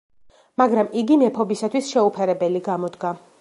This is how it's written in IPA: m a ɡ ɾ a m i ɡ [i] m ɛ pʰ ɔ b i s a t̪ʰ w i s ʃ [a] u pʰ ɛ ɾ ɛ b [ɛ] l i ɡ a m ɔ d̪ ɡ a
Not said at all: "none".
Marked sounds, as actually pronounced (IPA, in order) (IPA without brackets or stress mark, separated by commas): i, ɛ, ɛ